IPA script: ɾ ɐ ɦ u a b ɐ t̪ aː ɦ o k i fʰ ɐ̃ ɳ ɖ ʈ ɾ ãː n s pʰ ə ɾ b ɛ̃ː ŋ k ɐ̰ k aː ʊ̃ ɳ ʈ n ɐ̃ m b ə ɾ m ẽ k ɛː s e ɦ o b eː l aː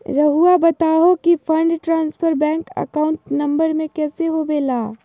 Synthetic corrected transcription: ɾ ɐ ɦ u a b ɐ t̪ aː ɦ o k i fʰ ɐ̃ ɳ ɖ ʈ ɾ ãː n s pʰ ə ɾ b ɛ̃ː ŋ k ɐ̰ k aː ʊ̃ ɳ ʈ n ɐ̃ m b ə ɾ m ẽ k ɛː s e ɦ o b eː l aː

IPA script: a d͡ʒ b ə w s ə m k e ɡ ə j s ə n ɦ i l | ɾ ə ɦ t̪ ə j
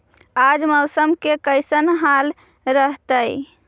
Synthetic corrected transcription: a d͡ʒ m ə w s ə m k e k ə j s ə n ɦ a l | ɾ ə ɦ t̪ ə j

